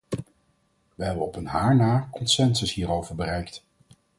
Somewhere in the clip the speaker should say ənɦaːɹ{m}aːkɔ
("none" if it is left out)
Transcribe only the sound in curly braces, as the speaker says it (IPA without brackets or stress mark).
n